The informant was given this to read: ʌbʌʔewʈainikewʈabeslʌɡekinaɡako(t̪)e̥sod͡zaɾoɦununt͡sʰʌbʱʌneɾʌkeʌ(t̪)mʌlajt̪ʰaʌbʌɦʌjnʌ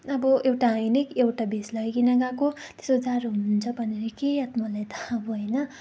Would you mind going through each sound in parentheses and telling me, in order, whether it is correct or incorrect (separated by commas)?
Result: correct, correct